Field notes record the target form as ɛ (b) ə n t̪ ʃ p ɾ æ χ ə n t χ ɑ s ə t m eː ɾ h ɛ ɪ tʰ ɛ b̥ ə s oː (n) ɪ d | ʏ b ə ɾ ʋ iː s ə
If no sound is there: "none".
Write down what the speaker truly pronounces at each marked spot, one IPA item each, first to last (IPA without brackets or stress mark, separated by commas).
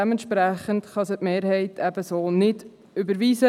m, n